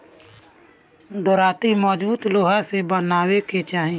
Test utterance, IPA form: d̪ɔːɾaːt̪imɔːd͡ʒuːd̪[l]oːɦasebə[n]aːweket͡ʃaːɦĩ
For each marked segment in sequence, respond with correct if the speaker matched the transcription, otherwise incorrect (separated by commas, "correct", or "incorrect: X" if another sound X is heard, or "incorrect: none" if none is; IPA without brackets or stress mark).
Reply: correct, correct